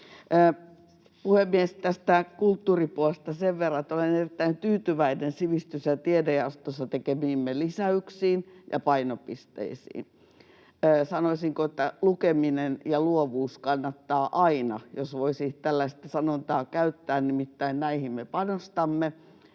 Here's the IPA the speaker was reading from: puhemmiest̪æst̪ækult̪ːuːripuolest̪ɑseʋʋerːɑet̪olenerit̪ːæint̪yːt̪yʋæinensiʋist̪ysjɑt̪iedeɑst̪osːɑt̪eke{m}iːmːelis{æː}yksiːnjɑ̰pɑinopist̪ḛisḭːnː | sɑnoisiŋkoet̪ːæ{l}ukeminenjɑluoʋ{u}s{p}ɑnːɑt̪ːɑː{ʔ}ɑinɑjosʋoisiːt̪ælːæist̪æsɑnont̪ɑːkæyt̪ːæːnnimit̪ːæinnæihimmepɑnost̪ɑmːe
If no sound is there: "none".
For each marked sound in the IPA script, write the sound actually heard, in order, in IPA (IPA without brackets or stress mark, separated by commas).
m, æ, l, uː, k, ʔ